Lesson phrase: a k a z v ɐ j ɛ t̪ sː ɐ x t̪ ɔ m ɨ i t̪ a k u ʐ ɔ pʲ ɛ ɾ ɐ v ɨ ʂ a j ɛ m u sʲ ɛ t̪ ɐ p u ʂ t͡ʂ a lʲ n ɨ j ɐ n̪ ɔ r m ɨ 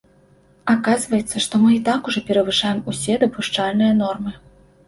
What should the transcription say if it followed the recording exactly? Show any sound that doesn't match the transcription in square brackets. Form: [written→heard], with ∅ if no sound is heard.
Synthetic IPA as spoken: a k a z v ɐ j ɛ t̪ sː ɐ [x→ʂ] t̪ ɔ m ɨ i t̪ a k u ʐ ɔ pʲ ɛ ɾ ɐ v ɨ ʂ a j ɛ m u sʲ ɛ [t̪→d̪] ɐ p u ʂ t͡ʂ a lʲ n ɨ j ɐ n̪ ɔ r m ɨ